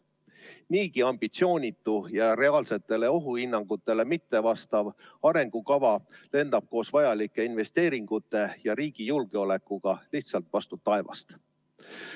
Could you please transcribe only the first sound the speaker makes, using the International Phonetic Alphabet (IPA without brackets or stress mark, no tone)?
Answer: n